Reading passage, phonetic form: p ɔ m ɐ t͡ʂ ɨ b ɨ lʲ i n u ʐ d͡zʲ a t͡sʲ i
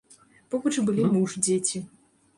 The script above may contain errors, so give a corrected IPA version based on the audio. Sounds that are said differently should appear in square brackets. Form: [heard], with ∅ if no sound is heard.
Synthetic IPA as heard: p ɔ [b] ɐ t͡ʂ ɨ b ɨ lʲ i [m] u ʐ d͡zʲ [e] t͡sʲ i